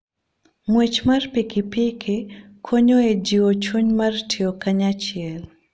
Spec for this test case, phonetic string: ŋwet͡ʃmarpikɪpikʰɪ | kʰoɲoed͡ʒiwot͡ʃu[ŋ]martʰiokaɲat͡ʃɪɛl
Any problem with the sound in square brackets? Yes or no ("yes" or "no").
yes